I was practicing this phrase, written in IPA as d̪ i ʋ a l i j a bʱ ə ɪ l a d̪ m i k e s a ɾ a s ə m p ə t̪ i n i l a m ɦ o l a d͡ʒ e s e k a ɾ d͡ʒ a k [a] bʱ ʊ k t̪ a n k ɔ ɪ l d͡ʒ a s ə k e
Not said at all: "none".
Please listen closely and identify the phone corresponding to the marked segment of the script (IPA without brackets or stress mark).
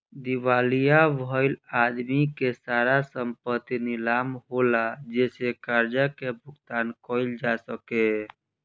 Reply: e